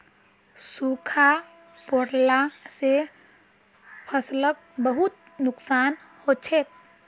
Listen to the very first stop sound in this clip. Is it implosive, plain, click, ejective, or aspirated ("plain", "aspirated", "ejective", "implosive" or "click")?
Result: aspirated